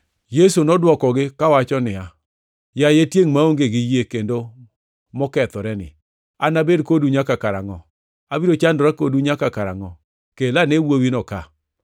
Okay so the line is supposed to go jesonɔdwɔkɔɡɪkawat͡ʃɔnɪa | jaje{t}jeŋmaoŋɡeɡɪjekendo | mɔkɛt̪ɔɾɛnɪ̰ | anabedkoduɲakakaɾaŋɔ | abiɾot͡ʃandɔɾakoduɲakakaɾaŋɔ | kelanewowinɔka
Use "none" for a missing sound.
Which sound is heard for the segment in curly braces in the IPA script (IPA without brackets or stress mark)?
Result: t